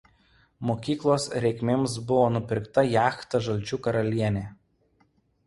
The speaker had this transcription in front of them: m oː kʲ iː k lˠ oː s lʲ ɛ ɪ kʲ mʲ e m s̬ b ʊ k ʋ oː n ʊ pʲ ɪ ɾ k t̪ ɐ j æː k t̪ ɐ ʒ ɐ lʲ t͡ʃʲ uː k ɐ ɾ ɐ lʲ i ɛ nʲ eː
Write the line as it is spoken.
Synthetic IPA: m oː kʲ iː k lˠ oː s ɾʲ ɛ ɪ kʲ mʲ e m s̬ b ʊ ʋ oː n ʊ pʲ ɪ ɾ k t̪ ɐ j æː x t̪ ɐ ʒ ɐ lʲ t͡ʃʲ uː k ɐ ɾ ɐ lʲ i ɛ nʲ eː